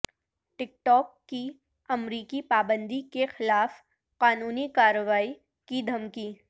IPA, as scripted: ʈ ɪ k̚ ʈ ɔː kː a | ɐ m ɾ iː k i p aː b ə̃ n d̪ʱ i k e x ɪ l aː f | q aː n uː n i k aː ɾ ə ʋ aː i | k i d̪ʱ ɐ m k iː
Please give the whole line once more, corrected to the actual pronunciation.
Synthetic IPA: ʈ ɪ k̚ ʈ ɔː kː i | ɐ m ɾ iː k i p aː b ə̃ n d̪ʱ i k e x ɪ l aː f | q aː n uː n i k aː ɾ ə ʋ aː i | k i d̪ʱ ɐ m k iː